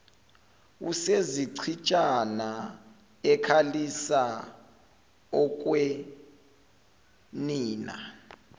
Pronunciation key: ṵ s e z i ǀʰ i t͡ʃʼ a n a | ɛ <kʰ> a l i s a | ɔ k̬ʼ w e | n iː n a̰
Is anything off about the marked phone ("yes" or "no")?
no